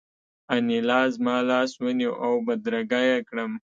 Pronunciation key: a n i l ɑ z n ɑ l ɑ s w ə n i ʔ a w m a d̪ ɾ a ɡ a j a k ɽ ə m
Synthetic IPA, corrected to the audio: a n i l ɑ z m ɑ l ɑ s w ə n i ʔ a w b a d̪ ɾ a ɡ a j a k ɽ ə m